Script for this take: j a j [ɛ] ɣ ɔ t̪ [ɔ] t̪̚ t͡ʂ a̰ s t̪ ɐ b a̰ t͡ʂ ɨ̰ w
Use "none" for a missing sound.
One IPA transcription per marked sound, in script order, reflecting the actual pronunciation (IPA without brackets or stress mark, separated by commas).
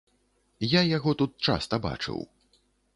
a, u